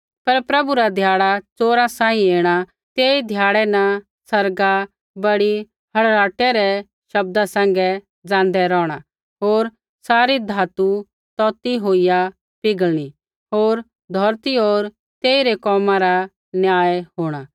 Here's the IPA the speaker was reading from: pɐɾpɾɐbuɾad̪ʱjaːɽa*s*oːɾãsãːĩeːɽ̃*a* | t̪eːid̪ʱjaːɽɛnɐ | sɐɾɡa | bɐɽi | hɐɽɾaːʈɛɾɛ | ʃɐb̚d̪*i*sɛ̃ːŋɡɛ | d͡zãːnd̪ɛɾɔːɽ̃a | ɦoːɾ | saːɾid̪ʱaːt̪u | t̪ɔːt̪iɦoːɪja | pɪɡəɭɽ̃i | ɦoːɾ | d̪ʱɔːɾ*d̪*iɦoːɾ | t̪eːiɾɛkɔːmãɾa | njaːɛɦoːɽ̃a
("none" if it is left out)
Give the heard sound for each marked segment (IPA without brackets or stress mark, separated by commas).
t͡s, a, a, t̪